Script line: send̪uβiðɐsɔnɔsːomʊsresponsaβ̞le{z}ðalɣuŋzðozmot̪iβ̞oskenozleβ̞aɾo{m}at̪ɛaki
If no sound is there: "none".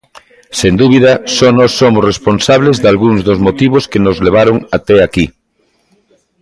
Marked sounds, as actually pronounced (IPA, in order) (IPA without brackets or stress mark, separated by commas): z, ŋ